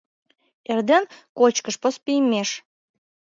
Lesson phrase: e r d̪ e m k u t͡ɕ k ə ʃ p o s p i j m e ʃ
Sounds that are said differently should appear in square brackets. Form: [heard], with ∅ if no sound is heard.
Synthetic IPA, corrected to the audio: e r d̪ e [n] k [o] t͡ɕ k ə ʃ p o s p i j m e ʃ